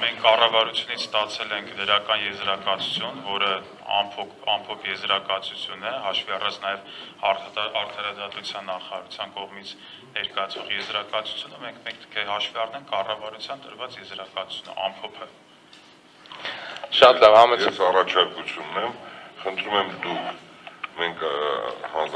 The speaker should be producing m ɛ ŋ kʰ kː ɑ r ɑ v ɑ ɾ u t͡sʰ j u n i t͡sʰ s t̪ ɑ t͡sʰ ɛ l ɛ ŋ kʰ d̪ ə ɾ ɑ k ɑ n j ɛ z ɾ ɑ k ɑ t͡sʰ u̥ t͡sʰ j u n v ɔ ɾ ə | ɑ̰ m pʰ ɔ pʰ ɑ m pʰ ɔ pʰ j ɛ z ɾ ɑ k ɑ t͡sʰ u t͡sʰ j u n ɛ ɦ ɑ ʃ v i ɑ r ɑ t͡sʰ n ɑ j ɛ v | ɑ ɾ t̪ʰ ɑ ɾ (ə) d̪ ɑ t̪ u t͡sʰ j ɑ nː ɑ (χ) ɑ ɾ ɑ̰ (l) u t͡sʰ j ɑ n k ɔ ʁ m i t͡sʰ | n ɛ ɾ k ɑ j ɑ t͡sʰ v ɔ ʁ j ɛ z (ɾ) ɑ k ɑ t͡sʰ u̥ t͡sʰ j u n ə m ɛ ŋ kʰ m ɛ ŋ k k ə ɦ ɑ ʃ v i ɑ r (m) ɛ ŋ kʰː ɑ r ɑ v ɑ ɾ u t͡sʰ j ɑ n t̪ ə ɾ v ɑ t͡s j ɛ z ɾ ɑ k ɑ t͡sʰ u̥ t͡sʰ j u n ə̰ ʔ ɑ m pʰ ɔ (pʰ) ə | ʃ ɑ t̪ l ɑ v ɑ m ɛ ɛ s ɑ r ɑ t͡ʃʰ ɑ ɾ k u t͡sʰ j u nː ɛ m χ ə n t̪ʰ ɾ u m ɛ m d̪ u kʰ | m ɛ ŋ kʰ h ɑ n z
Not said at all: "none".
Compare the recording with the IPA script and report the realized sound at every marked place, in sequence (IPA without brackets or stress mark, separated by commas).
ɑ, χ, ɾ, ɾ, n, pʰ